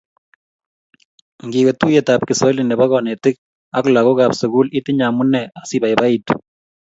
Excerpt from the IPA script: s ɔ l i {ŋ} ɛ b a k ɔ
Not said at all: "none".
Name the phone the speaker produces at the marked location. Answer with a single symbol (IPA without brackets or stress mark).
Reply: n